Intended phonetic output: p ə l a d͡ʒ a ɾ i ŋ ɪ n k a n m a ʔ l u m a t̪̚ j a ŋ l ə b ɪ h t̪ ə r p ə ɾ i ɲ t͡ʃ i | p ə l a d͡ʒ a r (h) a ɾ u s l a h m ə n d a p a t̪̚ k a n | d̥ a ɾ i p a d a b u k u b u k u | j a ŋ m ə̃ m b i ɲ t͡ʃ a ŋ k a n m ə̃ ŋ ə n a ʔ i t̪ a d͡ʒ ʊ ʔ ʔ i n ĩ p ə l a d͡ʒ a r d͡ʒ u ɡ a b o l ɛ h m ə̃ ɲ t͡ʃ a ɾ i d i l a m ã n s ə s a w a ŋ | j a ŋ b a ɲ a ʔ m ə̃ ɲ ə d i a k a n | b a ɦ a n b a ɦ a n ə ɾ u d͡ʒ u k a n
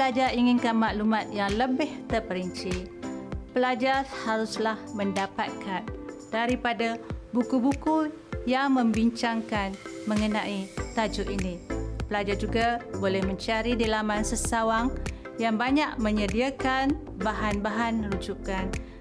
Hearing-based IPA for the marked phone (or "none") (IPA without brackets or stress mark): h